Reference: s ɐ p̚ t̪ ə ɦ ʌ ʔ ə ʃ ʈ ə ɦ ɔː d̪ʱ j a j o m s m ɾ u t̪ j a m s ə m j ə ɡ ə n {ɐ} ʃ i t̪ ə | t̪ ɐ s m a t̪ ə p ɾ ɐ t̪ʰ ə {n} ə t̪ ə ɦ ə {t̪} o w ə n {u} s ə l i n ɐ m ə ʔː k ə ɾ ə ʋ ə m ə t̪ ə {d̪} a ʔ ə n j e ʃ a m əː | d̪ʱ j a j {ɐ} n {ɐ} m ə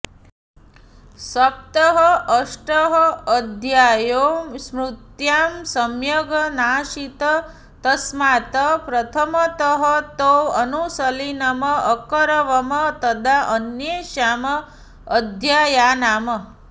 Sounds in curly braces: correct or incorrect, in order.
incorrect, incorrect, correct, correct, correct, incorrect, incorrect

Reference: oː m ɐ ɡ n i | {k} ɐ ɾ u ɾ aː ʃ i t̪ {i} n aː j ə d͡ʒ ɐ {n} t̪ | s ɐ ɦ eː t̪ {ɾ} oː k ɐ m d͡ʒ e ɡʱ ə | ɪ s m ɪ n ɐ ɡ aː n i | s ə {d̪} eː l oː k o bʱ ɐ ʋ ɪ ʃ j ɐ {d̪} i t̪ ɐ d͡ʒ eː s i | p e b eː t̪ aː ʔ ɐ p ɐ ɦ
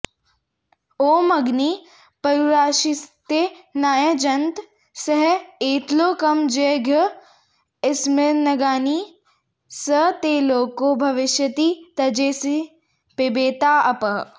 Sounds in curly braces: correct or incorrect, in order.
incorrect, incorrect, correct, incorrect, incorrect, incorrect

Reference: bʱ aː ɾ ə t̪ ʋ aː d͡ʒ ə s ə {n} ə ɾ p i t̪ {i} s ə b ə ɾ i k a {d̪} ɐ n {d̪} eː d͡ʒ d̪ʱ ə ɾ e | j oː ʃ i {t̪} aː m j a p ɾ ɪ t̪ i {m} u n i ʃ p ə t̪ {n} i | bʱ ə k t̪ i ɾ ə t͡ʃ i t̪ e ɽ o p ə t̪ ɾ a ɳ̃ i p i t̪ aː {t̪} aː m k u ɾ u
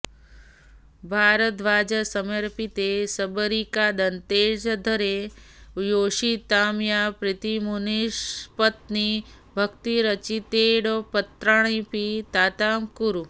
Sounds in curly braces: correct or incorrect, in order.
incorrect, incorrect, correct, incorrect, correct, correct, correct, correct

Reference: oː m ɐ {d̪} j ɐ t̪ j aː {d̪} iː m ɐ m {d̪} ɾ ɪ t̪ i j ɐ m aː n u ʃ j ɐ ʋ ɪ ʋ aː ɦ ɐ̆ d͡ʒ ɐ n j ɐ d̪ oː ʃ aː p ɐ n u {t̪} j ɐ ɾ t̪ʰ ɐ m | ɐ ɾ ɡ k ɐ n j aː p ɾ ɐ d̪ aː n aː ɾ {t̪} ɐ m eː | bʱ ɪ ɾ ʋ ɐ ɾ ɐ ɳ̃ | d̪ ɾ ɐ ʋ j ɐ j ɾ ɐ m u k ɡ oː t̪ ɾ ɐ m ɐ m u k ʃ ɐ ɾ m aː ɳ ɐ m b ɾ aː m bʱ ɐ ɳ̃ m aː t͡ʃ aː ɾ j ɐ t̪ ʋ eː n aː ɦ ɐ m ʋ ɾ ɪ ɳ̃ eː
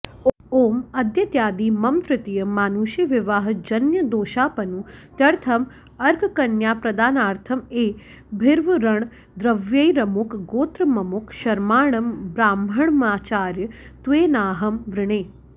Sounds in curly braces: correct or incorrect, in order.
correct, correct, incorrect, correct, incorrect

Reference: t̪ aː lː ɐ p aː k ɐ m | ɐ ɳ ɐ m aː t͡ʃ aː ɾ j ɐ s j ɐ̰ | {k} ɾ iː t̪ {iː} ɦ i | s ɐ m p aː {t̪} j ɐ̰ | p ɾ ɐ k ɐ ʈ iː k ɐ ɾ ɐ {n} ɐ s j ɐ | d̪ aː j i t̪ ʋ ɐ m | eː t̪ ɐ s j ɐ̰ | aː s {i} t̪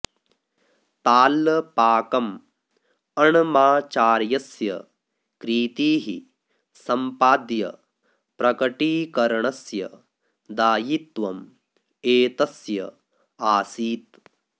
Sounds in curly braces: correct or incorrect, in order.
correct, correct, incorrect, incorrect, incorrect

